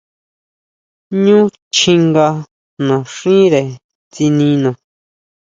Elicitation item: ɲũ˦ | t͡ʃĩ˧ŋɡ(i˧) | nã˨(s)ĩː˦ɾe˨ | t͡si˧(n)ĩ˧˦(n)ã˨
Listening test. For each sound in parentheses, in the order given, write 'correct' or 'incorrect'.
incorrect, incorrect, correct, correct

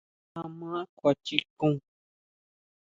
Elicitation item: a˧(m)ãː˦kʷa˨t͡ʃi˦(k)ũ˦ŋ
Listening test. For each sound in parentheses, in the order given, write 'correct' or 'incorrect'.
correct, correct

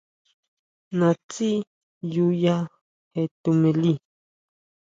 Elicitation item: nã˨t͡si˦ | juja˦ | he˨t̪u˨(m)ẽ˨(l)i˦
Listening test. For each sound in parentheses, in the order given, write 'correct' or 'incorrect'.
correct, correct

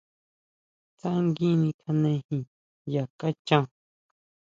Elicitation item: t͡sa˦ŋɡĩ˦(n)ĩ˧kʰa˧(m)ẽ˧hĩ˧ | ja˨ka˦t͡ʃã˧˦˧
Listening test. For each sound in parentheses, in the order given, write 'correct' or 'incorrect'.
correct, incorrect

